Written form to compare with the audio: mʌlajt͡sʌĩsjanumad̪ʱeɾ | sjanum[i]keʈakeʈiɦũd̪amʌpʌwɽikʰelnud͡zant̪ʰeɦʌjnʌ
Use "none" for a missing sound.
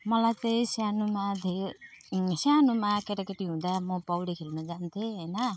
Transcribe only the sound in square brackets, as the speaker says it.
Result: a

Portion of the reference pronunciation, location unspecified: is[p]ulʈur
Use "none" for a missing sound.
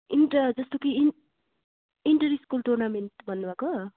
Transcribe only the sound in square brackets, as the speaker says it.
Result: k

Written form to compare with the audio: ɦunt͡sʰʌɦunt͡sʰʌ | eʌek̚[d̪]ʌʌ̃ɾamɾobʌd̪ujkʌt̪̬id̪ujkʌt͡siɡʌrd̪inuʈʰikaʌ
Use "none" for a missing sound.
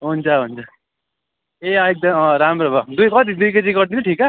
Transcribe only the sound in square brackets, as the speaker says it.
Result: d̪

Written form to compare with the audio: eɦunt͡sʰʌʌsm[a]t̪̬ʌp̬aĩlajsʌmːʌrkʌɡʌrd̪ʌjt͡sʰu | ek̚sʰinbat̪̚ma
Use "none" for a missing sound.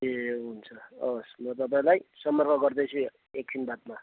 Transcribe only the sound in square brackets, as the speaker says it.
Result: ʌ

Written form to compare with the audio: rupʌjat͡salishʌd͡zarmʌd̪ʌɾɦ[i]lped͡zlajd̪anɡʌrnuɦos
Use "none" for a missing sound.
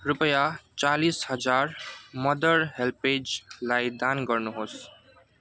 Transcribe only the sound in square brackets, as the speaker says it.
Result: e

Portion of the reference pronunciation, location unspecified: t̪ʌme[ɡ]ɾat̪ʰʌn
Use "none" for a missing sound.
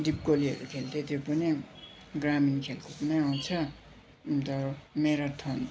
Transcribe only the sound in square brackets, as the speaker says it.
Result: none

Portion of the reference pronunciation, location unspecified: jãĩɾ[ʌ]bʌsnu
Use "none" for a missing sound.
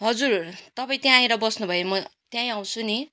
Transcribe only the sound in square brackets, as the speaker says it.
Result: ʌ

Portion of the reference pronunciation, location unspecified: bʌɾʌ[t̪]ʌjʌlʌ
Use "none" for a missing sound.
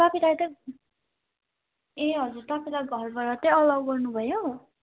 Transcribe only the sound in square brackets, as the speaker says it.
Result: t̪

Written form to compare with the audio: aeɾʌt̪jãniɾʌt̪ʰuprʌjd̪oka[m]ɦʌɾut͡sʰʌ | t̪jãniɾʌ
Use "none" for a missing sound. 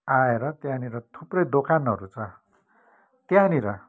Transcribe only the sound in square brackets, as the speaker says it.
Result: n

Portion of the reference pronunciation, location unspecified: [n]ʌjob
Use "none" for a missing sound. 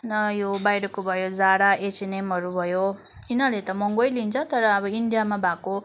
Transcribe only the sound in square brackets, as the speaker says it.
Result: n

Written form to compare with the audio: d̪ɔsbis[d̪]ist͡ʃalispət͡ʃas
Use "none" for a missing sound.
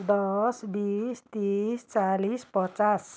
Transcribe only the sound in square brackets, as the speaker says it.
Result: t̪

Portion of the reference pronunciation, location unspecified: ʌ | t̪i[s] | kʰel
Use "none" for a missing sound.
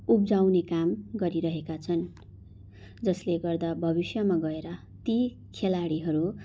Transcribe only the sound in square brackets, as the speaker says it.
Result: none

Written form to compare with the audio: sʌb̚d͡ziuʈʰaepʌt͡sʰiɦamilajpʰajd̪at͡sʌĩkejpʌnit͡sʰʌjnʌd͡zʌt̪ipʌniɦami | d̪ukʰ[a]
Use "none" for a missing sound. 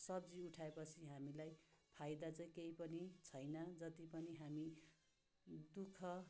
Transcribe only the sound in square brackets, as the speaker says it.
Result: ʌ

